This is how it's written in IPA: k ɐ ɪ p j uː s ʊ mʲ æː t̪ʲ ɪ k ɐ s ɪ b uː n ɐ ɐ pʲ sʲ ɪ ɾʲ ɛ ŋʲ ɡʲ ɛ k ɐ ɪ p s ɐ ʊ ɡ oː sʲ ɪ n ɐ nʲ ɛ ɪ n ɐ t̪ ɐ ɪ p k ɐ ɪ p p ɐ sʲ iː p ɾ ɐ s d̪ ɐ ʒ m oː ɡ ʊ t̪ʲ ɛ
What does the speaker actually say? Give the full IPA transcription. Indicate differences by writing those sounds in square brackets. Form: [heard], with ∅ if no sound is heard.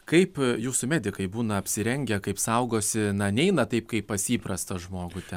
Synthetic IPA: k ɐ ɪ p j uː s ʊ mʲ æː [d̪ʲ] ɪ k ɐ [∅] ɪ b uː n ɐ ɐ pʲ sʲ ɪ ɾʲ ɛ ŋʲ ɡʲ ɛ k ɐ ɪ p s ɐ ʊ ɡ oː sʲ ɪ n ɐ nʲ ɛ ɪ n ɐ t̪ ɐ ɪ p k ɐ ɪ p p ɐ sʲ iː p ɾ ɐ s [t̪] ɐ ʒ m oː ɡ ʊ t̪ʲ ɛ